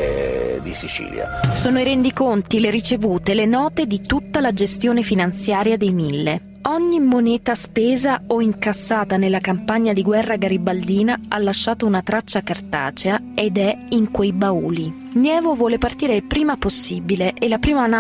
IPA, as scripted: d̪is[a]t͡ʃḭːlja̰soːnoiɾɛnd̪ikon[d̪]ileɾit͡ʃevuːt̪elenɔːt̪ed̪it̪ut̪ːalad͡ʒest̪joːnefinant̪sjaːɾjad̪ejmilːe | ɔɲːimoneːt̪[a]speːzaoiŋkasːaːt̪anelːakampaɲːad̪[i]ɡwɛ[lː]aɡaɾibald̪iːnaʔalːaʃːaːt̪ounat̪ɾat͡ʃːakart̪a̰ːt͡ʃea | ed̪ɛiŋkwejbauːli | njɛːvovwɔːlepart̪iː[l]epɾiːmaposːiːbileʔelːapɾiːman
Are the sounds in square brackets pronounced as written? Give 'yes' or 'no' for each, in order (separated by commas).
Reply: no, no, yes, yes, no, no